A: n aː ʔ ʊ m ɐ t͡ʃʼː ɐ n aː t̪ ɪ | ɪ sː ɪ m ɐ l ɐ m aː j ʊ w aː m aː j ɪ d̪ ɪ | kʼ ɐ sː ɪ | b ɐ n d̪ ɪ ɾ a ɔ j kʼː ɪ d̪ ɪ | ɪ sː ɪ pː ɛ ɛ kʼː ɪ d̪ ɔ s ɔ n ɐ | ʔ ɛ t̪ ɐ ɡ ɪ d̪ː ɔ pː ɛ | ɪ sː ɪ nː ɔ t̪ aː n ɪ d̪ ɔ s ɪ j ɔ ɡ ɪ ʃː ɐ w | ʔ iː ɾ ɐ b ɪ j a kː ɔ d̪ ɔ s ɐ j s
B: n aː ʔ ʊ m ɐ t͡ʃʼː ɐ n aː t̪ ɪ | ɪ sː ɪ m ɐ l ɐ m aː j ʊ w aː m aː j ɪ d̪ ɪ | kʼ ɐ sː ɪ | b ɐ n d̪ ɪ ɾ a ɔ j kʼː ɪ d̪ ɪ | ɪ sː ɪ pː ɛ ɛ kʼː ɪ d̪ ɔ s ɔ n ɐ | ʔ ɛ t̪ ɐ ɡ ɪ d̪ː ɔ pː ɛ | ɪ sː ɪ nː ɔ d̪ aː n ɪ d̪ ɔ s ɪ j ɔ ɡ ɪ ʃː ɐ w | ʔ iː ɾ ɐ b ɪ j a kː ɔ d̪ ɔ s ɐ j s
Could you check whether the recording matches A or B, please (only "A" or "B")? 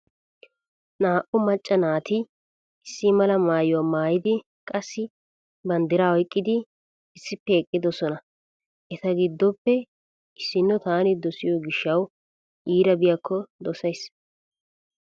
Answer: A